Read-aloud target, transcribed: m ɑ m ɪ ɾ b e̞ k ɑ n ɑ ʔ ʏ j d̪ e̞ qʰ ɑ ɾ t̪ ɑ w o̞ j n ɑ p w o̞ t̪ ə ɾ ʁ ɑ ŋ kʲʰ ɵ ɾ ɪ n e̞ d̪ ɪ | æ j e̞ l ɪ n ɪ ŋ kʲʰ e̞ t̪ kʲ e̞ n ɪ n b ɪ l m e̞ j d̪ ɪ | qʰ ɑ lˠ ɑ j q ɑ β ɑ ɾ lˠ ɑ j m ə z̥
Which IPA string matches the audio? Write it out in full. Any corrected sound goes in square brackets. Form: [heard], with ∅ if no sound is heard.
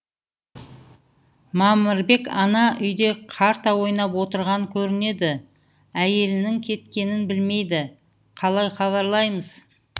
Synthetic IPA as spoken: m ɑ m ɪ ɾ b e̞ k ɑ n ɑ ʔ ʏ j d̪ e̞ qʰ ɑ ɾ t̪ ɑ w o̞ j n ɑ p w o̞ t̪ ə ɾ ʁ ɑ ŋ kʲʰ ɵ ɾ ɪ n e̞ d̪ ɪ | æ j e̞ l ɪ n ɪ ŋ kʲʰ e̞ t̪ kʲ e̞ n ɪ n b ɪ l m e̞ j d̪ ɪ | qʰ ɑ lˠ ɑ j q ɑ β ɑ ɾ lˠ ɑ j m ə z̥